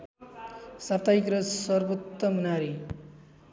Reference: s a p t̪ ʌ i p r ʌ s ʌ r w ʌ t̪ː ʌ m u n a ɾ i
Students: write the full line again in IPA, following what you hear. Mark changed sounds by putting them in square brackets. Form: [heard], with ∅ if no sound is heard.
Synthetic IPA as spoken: s a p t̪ [a] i [k] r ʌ s ʌ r [b] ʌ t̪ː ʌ m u n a ɾ i